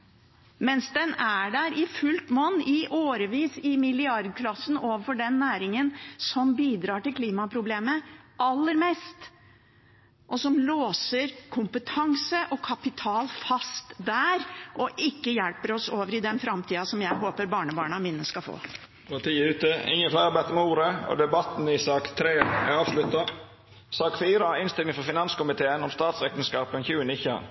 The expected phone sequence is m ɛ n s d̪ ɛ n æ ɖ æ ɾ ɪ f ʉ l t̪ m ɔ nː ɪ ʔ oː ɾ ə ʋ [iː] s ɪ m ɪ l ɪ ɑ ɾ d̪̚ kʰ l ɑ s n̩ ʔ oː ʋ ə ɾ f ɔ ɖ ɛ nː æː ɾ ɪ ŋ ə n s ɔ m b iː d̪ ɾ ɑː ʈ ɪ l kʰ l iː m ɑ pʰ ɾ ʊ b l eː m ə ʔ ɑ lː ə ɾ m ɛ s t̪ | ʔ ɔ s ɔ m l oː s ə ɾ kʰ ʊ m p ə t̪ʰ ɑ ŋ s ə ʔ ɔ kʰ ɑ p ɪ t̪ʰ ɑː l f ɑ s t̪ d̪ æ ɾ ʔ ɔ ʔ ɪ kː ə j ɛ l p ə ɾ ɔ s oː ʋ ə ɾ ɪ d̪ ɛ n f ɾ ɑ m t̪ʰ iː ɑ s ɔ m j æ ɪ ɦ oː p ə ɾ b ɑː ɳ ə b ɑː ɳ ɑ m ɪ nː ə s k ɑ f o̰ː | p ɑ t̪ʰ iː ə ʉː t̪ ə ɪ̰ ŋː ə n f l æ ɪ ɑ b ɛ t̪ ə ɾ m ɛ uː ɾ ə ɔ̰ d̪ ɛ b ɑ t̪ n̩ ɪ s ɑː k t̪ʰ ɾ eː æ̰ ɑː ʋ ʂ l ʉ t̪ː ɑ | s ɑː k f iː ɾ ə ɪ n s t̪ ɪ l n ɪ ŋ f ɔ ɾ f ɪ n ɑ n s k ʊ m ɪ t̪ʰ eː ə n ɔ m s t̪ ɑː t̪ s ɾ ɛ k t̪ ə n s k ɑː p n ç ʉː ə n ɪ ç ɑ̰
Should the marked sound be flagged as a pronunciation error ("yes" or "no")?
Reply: no